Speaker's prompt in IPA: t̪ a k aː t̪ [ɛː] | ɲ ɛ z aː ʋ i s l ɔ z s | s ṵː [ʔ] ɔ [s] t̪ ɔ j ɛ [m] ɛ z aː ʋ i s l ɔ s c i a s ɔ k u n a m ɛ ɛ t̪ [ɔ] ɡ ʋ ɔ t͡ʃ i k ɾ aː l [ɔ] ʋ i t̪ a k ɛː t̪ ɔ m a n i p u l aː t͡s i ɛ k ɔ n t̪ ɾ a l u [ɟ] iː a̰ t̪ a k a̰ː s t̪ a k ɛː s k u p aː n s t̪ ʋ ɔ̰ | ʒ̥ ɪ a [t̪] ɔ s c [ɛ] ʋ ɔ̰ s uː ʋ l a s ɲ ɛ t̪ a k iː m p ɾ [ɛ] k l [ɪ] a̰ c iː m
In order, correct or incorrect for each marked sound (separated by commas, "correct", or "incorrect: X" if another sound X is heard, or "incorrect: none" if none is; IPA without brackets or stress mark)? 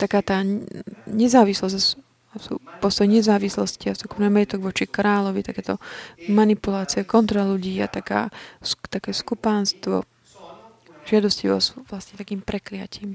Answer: incorrect: aː, incorrect: p, correct, incorrect: ɲ, correct, correct, correct, incorrect: d̪, incorrect: i, correct, correct